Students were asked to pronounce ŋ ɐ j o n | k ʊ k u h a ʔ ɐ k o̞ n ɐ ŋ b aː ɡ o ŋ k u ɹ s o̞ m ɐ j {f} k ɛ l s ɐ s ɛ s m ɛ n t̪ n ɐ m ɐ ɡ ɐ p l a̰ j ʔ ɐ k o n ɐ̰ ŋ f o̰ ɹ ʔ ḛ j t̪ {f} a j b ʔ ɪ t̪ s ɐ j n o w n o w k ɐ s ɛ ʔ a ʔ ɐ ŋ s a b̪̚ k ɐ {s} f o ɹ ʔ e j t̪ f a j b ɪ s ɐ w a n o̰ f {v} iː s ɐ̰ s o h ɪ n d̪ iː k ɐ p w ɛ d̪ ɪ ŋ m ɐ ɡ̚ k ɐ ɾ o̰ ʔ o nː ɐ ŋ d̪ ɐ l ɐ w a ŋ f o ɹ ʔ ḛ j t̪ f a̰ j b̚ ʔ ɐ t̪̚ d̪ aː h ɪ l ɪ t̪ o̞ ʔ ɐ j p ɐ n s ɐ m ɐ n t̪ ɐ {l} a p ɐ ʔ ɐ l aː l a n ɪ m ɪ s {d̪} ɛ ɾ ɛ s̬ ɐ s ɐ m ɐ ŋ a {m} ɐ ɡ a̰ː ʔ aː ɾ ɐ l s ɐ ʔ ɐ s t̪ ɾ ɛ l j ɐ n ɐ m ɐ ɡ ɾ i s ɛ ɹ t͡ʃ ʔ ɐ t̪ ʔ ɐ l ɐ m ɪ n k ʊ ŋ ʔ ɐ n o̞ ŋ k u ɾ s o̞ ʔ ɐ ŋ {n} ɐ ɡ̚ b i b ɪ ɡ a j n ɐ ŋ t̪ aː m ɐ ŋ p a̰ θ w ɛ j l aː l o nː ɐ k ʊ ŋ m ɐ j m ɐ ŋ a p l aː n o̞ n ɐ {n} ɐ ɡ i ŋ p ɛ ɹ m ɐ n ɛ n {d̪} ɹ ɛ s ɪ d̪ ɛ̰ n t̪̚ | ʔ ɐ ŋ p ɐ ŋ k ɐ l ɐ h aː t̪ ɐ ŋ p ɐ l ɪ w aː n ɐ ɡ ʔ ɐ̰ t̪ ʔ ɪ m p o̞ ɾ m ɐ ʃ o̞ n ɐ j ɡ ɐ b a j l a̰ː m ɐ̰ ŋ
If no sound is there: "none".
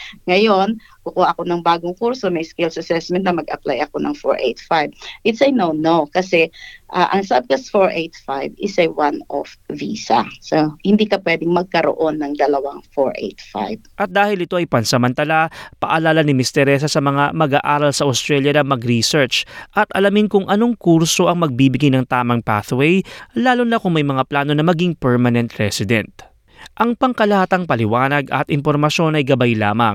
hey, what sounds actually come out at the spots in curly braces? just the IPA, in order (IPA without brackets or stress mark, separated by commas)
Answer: s, f, s, v, l, t̪, m, m, m, t̪